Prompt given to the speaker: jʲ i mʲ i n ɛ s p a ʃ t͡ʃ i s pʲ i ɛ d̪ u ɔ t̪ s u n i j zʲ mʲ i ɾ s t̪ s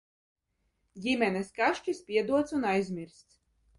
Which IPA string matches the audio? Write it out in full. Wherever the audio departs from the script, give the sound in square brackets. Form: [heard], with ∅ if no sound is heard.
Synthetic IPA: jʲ i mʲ [ɛ] n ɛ s [k] a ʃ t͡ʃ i s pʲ i ɛ d̪ u ɔ t̪ s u n [a] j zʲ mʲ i ɾ s t̪ s